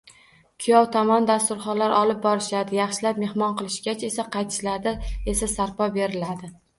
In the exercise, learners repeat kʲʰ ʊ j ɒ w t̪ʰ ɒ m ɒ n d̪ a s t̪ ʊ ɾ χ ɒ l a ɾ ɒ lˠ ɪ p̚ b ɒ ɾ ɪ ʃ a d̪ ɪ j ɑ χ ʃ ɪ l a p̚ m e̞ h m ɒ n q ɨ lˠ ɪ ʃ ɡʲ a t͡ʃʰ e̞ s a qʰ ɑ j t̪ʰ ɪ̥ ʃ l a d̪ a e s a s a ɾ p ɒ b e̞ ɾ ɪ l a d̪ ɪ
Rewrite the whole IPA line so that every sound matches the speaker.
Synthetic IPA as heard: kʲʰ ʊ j ɒ w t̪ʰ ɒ m ɒ n d̪ a s t̪ ʊ ɾ χ ɒ l a ɾ ɒ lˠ ɪ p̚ b ɒ ɾ ɪ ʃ a d̪ ɪ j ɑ χ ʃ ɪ l a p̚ m e̞ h m ɒ n q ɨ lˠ ɪ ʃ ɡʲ a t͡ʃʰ e̞ s a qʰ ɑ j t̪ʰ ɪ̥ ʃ l a d̪ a e s a s a ɾ p ɒ b e̞ ɾ ɪ l a d̪ ɪ